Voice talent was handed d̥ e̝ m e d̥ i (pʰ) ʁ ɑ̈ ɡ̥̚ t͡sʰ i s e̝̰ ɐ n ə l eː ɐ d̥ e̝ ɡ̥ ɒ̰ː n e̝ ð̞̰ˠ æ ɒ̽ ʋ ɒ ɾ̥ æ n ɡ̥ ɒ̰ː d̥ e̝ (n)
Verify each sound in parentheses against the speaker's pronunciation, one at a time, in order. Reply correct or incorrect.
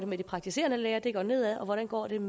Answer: correct, incorrect

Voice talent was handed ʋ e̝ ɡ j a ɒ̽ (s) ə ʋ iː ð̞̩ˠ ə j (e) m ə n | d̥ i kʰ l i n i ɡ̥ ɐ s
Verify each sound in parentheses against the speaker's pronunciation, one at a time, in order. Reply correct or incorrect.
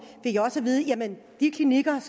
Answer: correct, incorrect

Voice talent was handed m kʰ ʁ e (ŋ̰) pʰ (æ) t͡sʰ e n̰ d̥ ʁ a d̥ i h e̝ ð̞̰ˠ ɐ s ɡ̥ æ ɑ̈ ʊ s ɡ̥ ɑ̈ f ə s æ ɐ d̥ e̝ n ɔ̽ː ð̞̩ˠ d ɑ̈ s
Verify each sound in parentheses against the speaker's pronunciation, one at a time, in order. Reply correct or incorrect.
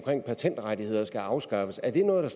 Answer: correct, correct

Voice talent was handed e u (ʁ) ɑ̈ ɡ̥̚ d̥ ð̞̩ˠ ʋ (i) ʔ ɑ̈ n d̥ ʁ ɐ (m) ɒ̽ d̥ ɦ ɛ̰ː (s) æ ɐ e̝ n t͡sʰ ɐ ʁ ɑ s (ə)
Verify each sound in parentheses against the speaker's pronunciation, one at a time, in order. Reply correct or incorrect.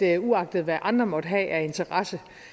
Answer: incorrect, incorrect, correct, incorrect, correct

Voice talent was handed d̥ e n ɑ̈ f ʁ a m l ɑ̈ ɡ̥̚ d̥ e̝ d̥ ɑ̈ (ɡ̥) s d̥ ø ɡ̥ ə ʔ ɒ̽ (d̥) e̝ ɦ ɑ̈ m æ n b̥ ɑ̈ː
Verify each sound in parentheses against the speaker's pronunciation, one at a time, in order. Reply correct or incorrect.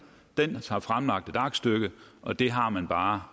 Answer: correct, correct

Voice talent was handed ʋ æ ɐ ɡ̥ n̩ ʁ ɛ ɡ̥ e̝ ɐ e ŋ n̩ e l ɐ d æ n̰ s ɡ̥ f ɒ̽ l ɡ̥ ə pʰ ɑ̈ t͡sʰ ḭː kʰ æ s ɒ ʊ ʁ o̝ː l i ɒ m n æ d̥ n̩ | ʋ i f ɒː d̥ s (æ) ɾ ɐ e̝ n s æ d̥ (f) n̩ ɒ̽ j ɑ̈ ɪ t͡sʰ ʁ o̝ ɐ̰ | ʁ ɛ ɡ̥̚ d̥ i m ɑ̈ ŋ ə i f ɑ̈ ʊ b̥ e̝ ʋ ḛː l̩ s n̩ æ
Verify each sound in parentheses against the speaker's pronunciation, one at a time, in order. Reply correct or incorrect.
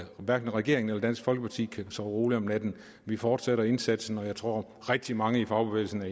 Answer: incorrect, incorrect

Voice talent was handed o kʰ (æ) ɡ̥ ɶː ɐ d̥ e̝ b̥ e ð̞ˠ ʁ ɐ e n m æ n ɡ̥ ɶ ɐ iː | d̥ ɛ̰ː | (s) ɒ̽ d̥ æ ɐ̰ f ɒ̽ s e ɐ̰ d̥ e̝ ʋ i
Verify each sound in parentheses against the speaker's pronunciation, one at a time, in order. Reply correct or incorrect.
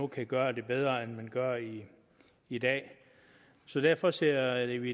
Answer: correct, correct

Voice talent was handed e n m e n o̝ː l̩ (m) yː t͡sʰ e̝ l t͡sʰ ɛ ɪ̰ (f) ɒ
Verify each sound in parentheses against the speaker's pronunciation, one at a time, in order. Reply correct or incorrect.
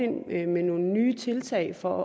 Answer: incorrect, correct

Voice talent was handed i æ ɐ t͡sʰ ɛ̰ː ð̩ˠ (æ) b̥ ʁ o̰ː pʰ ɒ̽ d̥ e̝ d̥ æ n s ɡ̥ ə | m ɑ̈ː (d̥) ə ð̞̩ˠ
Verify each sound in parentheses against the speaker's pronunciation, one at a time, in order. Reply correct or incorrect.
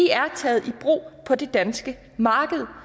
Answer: incorrect, incorrect

